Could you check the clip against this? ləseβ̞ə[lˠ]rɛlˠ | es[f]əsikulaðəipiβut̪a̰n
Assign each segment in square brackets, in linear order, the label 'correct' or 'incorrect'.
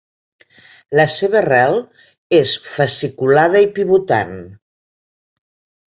incorrect: none, correct

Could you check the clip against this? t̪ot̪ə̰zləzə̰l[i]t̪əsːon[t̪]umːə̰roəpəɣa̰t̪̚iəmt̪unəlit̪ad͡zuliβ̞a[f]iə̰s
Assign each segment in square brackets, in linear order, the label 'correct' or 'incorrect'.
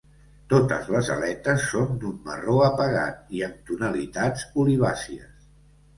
incorrect: ɛ, incorrect: d̪, incorrect: s

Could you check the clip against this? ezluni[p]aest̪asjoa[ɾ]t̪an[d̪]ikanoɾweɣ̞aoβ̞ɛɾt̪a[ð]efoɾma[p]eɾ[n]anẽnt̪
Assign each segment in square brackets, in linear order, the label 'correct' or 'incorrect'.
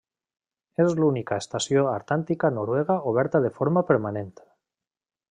incorrect: k, correct, incorrect: t̪, correct, correct, incorrect: m

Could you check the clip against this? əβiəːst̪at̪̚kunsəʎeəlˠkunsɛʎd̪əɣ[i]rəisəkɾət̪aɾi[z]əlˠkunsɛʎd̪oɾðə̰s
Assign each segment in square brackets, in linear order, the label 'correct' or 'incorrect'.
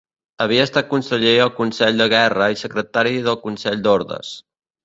incorrect: ɛ, incorrect: ð

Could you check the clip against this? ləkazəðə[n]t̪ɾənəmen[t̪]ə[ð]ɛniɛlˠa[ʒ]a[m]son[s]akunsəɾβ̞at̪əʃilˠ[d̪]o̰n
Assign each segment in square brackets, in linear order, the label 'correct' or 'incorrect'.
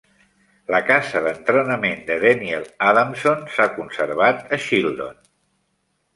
correct, incorrect: d̪, correct, incorrect: ð, correct, correct, correct

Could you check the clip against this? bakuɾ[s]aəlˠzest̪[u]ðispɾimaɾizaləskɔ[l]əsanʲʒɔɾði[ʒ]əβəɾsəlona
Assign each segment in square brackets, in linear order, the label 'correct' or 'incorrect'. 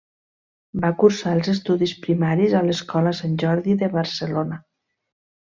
correct, correct, correct, incorrect: ð

